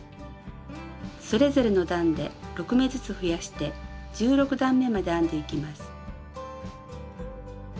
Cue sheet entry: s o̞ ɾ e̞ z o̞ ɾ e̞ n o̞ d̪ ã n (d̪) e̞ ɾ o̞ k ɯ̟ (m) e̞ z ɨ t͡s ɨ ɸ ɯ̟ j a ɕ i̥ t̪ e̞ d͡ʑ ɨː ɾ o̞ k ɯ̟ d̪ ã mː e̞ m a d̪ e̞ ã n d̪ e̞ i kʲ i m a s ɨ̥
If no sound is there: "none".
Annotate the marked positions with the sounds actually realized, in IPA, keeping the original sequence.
d̪, m

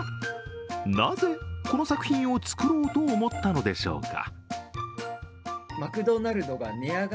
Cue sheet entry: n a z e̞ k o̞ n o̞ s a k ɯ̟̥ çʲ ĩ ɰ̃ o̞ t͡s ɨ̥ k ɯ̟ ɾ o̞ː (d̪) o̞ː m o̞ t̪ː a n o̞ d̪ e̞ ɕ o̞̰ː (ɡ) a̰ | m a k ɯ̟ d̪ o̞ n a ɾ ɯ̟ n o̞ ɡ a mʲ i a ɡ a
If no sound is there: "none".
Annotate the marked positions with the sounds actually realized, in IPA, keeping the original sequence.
t̪, k

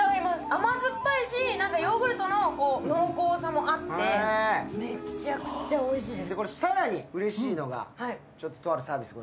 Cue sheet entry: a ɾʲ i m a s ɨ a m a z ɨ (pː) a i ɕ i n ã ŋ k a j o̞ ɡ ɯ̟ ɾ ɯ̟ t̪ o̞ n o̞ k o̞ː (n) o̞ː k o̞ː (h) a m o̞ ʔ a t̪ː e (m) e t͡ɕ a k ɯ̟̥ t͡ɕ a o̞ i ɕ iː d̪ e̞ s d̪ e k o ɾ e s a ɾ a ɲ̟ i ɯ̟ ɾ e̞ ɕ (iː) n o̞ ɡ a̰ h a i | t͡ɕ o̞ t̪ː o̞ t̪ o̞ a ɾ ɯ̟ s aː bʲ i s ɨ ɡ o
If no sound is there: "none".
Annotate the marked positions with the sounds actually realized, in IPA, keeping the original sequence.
pː, n, s, m, iː

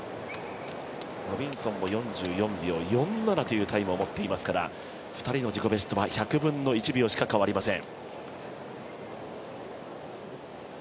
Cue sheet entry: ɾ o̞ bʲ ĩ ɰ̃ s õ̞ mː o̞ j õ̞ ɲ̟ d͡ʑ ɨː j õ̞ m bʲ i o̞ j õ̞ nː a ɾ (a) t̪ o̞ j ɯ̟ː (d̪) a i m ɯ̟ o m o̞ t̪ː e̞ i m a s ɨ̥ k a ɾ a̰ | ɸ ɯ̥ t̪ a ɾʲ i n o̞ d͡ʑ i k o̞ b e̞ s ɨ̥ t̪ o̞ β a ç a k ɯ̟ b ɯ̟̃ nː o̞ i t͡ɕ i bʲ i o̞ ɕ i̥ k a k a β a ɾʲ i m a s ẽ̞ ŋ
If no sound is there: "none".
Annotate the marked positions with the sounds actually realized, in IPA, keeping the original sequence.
a, t̪

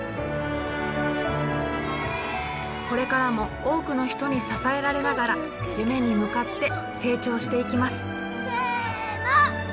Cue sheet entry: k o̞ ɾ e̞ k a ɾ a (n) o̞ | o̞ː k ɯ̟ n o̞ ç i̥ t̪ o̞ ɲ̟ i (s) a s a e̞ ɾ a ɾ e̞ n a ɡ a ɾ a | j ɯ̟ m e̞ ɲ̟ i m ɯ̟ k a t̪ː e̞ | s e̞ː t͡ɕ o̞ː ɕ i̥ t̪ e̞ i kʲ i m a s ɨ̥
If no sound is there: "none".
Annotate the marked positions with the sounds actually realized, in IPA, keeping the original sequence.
m, s

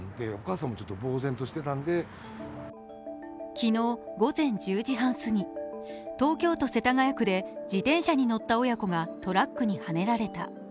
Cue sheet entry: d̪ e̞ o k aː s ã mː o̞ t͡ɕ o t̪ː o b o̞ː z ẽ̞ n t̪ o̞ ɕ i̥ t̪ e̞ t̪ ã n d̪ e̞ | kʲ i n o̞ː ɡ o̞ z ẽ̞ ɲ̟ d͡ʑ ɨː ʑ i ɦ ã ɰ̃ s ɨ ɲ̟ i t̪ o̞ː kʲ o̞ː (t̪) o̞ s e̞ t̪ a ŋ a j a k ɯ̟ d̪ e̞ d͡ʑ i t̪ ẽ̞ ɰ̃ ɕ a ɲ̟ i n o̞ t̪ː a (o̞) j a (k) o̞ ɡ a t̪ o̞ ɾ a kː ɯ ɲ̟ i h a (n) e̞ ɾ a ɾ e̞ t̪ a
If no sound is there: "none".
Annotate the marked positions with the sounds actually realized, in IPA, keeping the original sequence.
t̪, o̞, k, n

